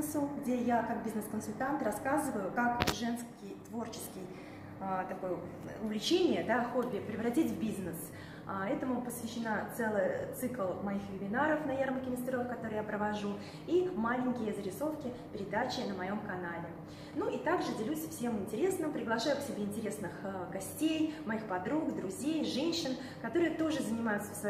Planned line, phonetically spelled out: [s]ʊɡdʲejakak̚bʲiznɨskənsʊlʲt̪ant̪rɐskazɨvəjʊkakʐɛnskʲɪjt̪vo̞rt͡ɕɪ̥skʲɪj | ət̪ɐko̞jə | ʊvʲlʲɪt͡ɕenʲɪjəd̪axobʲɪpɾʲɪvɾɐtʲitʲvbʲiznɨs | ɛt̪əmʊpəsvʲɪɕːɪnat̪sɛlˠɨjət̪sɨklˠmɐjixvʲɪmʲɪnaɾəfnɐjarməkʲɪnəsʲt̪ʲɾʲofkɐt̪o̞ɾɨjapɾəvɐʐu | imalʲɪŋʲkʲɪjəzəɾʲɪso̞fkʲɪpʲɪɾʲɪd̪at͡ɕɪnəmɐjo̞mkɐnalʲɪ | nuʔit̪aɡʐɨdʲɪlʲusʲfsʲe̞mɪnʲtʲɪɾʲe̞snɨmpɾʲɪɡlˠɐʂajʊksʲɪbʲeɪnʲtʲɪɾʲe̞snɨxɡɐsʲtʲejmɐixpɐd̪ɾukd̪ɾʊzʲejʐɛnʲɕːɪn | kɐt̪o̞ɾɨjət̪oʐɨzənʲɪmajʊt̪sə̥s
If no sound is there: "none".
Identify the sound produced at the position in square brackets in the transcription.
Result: s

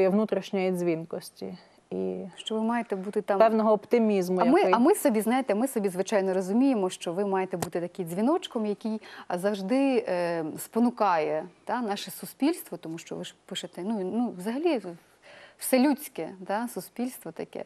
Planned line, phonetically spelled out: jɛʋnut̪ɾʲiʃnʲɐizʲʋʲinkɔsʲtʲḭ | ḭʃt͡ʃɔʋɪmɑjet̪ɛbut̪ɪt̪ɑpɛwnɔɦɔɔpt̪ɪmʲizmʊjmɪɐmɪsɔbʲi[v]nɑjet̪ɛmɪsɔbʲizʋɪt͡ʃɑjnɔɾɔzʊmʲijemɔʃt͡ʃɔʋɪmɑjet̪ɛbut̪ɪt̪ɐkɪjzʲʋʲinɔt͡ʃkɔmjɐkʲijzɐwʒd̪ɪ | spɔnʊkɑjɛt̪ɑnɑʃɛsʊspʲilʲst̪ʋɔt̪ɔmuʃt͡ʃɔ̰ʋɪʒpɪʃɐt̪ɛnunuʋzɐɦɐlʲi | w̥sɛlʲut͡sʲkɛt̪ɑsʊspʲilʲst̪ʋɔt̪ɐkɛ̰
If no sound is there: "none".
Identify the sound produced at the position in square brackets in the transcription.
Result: z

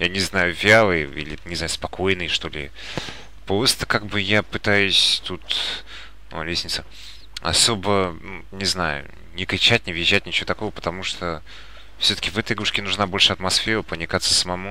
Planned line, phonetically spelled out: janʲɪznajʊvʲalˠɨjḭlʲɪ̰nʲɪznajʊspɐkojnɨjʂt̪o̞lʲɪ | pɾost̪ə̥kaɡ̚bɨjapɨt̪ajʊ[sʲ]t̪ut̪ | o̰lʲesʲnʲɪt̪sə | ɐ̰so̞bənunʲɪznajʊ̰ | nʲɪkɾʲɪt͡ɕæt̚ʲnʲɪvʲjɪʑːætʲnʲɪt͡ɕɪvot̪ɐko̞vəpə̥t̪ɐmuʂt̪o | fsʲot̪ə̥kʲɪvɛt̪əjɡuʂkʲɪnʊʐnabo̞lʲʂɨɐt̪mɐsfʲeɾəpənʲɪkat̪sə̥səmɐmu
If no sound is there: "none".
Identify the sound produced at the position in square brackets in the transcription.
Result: sʲ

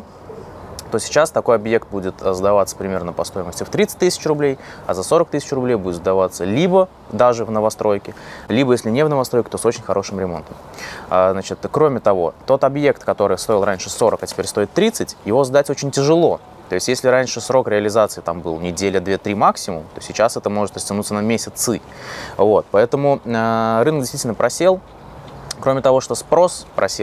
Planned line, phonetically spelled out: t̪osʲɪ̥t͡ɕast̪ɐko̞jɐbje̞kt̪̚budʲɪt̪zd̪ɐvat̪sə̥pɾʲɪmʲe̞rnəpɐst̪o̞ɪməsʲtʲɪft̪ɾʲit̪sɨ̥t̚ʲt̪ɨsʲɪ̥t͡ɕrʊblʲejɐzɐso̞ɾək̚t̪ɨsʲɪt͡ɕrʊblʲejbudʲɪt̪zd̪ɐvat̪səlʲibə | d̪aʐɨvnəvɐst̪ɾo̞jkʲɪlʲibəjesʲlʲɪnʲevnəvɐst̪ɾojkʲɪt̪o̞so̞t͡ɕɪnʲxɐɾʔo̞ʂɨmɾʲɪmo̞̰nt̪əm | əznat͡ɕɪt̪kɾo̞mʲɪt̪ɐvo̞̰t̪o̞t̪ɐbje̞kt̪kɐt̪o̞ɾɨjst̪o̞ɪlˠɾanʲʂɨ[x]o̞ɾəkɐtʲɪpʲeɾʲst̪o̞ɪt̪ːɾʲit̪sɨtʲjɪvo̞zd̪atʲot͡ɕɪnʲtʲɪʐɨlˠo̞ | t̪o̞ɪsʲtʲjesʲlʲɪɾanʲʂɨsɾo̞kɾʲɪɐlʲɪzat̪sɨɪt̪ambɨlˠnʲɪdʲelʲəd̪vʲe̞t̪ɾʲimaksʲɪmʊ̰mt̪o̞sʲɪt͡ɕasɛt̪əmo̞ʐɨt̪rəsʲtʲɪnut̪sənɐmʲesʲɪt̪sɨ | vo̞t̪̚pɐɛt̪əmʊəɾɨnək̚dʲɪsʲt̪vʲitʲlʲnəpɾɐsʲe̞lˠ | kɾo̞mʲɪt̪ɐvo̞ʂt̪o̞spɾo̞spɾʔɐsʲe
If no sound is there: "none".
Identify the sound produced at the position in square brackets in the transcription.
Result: s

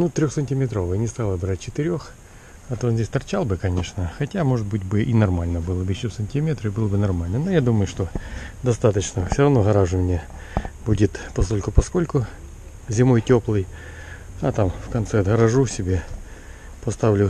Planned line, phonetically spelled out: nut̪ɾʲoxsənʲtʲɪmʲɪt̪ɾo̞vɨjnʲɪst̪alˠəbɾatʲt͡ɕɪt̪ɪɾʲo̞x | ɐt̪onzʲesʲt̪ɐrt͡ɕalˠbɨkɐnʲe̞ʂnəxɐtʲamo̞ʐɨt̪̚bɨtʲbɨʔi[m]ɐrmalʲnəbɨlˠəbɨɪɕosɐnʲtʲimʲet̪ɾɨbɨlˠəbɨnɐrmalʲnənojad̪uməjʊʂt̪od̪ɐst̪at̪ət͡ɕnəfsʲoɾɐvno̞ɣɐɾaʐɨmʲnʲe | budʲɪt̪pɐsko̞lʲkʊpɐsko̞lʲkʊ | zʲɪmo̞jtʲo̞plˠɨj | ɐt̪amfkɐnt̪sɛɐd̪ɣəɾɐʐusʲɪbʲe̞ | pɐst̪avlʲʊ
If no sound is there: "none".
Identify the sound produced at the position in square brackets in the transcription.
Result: n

